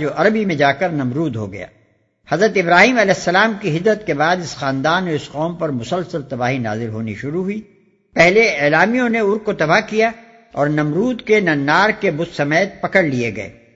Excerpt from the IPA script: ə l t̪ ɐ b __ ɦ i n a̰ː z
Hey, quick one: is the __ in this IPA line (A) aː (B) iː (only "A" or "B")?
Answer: A